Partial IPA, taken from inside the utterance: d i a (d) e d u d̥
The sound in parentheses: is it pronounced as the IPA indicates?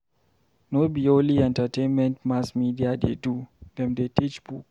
yes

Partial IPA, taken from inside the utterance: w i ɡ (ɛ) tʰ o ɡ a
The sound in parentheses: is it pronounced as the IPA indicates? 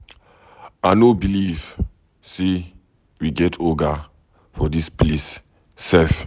yes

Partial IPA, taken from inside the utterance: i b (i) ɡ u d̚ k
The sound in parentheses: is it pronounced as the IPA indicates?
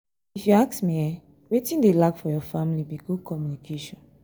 yes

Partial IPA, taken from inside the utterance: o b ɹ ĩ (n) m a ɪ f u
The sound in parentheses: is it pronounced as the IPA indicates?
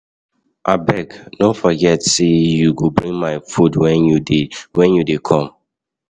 no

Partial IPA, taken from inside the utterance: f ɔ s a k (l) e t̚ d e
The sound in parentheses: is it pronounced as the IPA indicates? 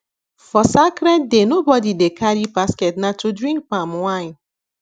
no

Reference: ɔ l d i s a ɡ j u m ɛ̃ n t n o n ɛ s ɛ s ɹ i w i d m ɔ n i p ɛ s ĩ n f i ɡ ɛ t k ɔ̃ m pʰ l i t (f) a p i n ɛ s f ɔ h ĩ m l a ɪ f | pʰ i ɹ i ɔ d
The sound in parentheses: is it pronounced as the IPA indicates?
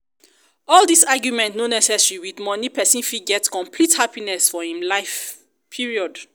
no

